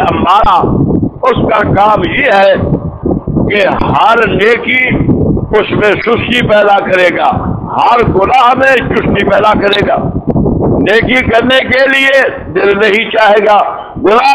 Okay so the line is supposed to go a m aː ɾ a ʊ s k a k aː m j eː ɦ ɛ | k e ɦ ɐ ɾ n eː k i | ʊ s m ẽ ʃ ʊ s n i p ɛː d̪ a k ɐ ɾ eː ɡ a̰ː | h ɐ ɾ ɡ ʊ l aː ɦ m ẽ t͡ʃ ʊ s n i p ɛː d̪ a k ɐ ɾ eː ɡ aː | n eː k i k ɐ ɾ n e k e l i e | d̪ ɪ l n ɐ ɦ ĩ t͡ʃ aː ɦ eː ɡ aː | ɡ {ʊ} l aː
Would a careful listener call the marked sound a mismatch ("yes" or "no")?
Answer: no